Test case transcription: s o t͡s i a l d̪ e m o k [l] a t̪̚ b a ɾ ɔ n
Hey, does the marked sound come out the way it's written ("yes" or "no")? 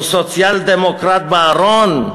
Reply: no